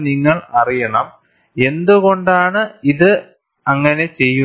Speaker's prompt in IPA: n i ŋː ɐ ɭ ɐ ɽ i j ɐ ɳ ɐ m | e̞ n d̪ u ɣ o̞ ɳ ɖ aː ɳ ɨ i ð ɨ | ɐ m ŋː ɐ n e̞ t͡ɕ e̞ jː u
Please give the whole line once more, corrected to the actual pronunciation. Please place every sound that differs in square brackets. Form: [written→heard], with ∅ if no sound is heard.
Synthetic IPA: n i ŋː ɐ ɭ ɐ [ɽ→r] i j ɐ ɳ ɐ m | e̞ n d̪ u ɣ o̞ ɳ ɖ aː ɳ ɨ i ð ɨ | ɐ [m→∅] ŋː ɐ n e̞ t͡ɕ e̞ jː u

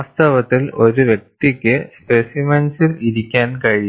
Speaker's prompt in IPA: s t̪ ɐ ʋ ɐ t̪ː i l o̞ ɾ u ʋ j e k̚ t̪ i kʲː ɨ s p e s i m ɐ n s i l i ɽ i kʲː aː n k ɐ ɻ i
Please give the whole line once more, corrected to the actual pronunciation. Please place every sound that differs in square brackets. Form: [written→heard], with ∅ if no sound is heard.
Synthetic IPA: s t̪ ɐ ʋ ɐ t̪ː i l o̞ ɾ u ʋ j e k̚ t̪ i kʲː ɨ s p e s i m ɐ n s i l i [ɽ→ɾ] i kʲː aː n k ɐ ɻ i

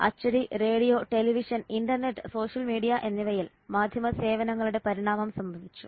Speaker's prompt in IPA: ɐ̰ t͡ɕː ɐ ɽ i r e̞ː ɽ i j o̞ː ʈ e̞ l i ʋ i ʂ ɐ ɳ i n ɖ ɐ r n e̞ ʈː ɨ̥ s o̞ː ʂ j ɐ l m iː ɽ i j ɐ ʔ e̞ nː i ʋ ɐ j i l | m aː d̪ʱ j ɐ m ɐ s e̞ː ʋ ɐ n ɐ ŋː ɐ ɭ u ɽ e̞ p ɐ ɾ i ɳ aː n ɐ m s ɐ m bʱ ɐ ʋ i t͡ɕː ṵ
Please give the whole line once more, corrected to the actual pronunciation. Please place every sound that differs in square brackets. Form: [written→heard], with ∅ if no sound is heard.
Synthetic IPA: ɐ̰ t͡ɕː ɐ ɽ i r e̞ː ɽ i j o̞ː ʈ e̞ l i ʋ i ʂ ɐ [ɳ→n] i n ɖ ɐ r n e̞ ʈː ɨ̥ s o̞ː ʂ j ɐ l m iː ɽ i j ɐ ʔ e̞ nː i ʋ ɐ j i l | m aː d̪ʱ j ɐ m ɐ s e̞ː ʋ ɐ n ɐ ŋː ɐ ɭ u ɽ e̞ p ɐ ɾ i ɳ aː [n→m] ɐ m s ɐ m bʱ ɐ ʋ i t͡ɕː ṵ

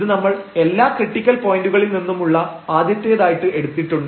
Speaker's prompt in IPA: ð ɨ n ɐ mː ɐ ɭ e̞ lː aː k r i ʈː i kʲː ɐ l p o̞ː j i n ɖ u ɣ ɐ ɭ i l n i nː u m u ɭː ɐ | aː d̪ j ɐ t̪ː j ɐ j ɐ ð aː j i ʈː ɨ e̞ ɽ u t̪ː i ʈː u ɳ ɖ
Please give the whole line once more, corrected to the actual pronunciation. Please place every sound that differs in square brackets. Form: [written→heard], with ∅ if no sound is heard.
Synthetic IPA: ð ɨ n ɐ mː ɐ ɭ e̞ lː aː k r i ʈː i kʲː ɐ l p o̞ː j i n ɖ u ɣ ɐ ɭ i l n i nː u m u ɭː ɐ | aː d̪ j ɐ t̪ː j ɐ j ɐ ð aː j i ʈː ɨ e̞ ɽ u t̪ː i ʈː u ɳ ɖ

